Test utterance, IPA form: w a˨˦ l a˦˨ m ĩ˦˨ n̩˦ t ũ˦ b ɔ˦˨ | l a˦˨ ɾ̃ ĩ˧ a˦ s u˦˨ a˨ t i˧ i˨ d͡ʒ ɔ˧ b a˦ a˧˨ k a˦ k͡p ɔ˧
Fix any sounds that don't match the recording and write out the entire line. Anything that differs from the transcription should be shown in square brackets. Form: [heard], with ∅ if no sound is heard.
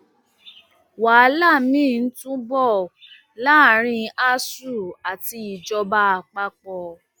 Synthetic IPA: w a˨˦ l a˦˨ m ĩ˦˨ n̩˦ t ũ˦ b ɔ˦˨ | l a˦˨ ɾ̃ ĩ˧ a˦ s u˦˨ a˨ t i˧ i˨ d͡ʒ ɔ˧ b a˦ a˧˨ [k͡p] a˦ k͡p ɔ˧